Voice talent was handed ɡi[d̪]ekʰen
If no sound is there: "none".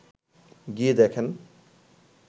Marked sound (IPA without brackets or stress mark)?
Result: d̪